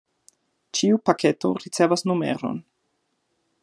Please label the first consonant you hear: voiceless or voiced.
voiceless